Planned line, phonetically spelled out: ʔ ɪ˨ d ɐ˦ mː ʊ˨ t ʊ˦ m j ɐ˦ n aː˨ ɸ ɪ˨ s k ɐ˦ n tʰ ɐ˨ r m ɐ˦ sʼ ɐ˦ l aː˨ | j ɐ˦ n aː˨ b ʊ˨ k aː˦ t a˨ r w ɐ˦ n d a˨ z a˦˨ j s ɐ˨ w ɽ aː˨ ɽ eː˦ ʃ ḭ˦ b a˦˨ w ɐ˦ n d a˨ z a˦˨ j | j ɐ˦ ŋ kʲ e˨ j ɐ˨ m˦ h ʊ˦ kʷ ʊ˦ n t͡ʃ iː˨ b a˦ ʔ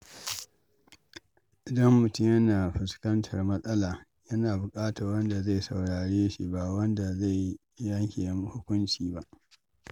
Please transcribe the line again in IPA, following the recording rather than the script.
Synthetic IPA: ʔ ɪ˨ d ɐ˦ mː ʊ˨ t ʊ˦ m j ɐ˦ n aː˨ ɸ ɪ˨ s k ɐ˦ n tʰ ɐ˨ r m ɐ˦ sʼ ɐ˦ l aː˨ | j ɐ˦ n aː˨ b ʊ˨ kʼ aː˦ t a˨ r w ɐ˦ n d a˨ z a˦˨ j s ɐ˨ w ɽ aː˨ ɽ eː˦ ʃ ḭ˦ b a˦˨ w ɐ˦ n d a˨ z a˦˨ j | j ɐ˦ ŋ kʲ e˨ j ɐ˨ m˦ h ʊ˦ kʷ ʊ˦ n t͡ʃ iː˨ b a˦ ʔ